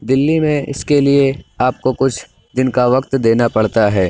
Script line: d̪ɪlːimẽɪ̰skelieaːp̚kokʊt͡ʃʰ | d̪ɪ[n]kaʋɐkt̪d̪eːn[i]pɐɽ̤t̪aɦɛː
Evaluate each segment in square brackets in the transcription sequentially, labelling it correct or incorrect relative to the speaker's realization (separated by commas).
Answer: correct, incorrect